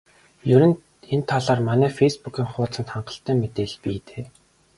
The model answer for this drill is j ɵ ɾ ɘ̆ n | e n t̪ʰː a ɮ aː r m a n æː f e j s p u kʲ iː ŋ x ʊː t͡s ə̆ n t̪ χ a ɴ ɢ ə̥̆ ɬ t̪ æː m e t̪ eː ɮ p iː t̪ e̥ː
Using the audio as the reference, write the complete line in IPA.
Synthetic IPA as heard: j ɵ ɾ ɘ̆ n | e n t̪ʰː a ɮ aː r m a n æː f e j s p u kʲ iː ŋ χ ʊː t͡s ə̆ n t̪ χ a ɴ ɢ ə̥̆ ɬ t̪ æː m e t̪ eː ɮ p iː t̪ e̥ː